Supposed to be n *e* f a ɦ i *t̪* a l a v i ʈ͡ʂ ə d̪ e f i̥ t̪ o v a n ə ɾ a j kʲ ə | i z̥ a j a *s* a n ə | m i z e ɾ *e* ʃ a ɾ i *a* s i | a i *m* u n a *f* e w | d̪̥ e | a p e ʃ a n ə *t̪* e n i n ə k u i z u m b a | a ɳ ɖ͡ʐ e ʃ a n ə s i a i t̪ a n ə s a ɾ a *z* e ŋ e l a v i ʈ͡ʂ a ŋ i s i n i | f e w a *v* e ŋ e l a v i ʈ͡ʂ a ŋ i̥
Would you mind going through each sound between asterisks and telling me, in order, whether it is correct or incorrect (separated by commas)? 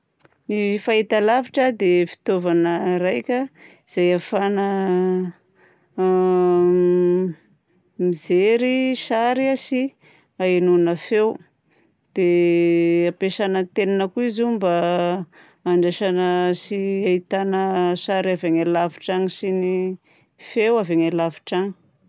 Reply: incorrect, correct, incorrect, incorrect, correct, incorrect, correct, correct, incorrect, correct